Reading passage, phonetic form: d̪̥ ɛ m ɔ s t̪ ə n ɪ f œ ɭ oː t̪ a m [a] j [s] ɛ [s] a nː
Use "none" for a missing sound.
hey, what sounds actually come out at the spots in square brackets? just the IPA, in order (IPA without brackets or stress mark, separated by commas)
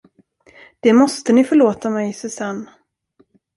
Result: ɛ, s, s